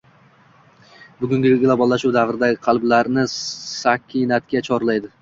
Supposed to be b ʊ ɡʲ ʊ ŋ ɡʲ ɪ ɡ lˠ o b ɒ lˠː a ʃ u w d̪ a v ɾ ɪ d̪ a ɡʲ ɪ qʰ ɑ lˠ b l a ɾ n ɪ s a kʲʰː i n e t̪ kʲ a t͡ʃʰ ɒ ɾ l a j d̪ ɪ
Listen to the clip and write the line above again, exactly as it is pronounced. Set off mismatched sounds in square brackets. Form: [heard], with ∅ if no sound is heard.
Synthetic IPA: b ʊ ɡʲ ʊ ŋ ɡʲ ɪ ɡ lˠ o b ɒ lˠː a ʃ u w d̪ a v ɾ ɪ d̪ a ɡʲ ɪ qʰ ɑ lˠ b l a ɾ n ɪ s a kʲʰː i n [a] t̪ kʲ a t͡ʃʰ ɒ ɾ l a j d̪ ɪ